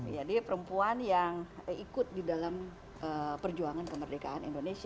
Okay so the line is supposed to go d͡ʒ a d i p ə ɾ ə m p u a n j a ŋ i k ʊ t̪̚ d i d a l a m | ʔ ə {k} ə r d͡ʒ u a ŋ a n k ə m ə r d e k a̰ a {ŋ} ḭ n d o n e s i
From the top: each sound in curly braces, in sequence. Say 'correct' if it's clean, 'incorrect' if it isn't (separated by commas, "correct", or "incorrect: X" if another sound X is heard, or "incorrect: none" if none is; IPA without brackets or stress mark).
incorrect: p, incorrect: n